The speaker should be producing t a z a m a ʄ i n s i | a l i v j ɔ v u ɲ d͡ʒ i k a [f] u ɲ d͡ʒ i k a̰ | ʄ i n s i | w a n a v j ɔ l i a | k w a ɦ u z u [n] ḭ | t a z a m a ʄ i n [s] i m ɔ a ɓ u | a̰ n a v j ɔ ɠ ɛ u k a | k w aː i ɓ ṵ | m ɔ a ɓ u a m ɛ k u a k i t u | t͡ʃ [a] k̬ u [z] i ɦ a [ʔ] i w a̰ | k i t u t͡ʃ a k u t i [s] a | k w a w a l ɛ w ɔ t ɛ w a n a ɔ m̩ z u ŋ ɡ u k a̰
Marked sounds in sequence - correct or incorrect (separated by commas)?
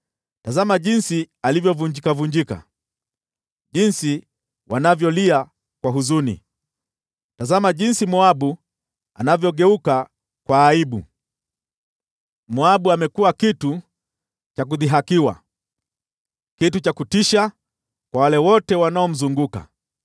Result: incorrect, correct, correct, correct, incorrect, incorrect, incorrect